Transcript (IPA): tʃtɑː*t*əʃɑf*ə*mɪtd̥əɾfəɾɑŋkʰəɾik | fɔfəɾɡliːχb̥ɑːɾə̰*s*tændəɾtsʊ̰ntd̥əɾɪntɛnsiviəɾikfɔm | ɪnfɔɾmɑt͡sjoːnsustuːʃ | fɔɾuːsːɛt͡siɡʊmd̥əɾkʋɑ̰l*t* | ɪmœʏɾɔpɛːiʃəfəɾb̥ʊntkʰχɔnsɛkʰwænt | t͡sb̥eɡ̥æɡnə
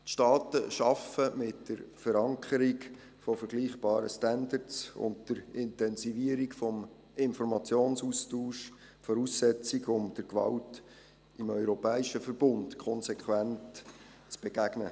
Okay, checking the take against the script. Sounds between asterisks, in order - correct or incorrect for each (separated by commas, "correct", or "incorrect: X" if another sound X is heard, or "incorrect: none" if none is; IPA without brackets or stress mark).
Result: correct, correct, correct, correct